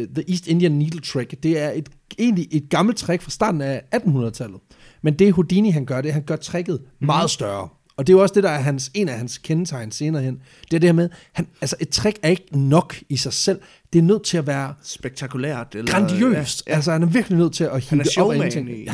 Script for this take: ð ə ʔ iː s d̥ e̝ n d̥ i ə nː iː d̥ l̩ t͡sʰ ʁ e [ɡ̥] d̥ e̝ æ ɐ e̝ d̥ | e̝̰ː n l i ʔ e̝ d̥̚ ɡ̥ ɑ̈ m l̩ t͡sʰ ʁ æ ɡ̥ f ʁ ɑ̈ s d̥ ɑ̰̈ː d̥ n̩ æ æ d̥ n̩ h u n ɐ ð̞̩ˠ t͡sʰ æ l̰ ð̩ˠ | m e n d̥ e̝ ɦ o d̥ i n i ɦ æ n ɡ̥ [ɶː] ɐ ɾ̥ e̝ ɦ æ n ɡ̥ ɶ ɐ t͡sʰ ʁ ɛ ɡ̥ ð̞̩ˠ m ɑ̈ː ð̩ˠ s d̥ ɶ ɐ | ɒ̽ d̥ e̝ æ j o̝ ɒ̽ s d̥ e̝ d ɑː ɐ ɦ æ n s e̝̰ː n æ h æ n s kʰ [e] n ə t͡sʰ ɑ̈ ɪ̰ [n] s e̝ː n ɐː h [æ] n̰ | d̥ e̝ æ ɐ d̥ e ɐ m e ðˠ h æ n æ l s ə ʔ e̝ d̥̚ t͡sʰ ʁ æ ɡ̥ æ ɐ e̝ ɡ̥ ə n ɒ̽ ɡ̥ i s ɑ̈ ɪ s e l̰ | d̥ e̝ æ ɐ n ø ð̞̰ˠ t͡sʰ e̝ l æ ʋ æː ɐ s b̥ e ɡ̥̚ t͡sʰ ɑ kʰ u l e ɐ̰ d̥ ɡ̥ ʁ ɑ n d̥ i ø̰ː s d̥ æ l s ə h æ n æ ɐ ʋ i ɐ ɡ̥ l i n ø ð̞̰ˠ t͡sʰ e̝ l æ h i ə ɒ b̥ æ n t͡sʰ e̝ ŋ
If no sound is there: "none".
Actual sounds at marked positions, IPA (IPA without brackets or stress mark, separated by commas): ɡ̥, ɶ, e, n, e